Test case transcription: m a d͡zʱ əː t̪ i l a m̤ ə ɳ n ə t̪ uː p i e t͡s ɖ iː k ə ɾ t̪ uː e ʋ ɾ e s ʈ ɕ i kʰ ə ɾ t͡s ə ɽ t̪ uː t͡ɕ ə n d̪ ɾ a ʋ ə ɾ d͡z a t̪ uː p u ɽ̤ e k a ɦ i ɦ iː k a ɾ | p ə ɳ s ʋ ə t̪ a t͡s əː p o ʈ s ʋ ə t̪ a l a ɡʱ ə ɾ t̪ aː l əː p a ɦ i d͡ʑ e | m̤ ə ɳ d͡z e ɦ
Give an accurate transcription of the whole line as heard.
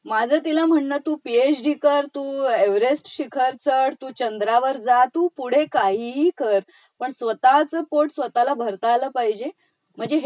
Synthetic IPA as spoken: m a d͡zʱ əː t̪ i l a m̤ ə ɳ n ə t̪ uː p i e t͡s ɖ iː k ə ɾ t̪ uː e ʋ ɾ e s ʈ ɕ i kʰ ə ɾ t͡s ə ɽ t̪ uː t͡ɕ ə n d̪ ɾ a ʋ ə ɾ d͡z a t̪ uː p u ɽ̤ e k a ɦ i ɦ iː k ə ɾ | p ə ɳ s ʋ ə t̪ a t͡s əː p o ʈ s ʋ ə t̪ a l a bʱ ə ɾ t̪ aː l əː p a ɦ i d͡ʑ e | m̤ ə ɳ d͡z e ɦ